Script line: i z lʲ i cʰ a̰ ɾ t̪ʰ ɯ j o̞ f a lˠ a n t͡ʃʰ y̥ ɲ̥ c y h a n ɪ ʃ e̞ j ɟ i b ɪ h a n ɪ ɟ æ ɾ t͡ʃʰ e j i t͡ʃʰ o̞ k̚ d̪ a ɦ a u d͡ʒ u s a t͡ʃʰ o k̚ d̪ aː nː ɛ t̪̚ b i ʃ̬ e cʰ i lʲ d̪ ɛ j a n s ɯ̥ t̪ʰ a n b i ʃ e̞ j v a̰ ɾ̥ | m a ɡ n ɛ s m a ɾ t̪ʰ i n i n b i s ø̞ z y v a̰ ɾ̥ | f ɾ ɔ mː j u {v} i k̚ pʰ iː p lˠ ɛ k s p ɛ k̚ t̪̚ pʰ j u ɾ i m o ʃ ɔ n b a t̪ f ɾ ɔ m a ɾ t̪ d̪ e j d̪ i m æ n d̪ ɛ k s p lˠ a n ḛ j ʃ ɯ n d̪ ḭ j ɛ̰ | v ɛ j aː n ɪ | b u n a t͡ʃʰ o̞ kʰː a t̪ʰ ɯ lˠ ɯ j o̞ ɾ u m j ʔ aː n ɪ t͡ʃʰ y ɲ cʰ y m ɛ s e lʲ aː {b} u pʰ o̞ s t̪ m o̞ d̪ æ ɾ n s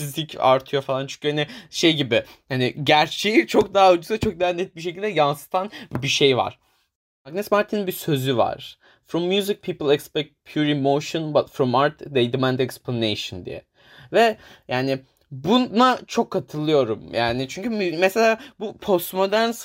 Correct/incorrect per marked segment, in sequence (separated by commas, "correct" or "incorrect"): incorrect, correct